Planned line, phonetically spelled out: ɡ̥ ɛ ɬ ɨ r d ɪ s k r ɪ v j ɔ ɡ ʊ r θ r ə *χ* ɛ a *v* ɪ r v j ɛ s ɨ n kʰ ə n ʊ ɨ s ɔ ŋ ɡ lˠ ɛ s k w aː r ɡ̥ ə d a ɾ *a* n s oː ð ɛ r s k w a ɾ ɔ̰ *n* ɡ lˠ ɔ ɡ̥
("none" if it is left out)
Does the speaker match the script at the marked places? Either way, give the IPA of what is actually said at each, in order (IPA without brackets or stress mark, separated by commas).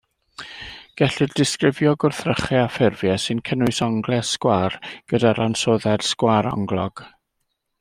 χ, f, a, ŋ